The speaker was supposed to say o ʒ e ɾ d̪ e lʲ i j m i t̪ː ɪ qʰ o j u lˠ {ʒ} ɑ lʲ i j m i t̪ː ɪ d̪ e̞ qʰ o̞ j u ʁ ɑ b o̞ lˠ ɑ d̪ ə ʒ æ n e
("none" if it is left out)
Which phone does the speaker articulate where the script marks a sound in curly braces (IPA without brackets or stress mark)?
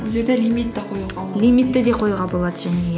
ʁ